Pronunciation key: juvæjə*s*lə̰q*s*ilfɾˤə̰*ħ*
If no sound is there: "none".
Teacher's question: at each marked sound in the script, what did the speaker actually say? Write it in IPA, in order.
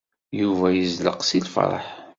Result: z, s, ħ

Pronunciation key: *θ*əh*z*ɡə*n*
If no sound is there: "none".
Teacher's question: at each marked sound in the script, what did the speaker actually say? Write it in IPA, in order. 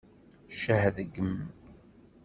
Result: ʃ, ð, m

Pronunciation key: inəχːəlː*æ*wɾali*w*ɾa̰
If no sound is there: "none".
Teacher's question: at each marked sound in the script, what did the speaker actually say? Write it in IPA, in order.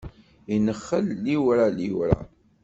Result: i, w

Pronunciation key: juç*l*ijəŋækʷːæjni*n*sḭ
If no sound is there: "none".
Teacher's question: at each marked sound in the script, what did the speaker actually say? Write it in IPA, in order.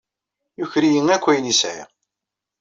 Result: ɾ, none

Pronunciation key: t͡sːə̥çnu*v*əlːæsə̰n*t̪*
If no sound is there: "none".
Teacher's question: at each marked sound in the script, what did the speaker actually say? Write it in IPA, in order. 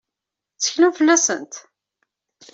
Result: f, t̪

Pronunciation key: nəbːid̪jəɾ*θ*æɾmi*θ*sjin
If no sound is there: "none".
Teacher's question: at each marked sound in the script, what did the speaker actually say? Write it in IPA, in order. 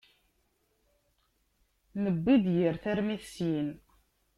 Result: θ, θ

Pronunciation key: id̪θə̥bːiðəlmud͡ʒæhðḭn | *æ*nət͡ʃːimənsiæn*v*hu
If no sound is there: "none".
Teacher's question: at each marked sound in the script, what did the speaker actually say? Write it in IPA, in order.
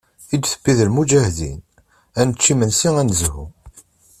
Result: æ, z

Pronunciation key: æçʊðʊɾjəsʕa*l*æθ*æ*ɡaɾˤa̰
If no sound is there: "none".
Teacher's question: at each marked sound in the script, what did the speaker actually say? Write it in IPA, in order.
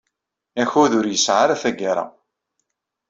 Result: ɾ, æ

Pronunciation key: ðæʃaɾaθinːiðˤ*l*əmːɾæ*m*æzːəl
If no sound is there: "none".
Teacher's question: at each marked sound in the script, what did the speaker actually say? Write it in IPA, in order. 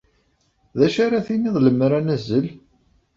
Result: l, n

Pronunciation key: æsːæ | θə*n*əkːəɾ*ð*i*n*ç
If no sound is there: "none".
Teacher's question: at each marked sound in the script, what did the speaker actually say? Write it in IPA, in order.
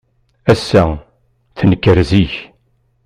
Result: n, z, none

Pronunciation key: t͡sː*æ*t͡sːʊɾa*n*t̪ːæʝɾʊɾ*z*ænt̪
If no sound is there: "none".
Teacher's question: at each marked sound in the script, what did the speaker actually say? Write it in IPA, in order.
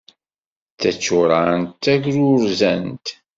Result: æ, n, z

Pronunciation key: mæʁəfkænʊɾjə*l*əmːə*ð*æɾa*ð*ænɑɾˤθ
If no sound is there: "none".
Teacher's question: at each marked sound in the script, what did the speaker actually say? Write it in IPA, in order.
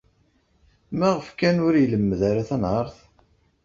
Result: l, ð, θ

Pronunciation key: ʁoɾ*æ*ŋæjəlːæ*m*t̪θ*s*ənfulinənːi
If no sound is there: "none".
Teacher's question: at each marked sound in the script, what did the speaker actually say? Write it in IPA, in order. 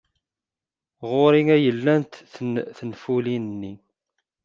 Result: i, n, θ

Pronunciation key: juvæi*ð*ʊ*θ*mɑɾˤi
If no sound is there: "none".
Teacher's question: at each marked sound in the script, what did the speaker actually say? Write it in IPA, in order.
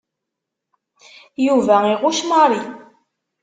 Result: ʁ, ʃ

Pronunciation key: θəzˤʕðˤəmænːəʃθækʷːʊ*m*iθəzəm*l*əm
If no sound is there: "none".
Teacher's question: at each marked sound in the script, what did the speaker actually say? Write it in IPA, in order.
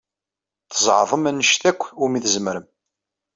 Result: m, ɾ

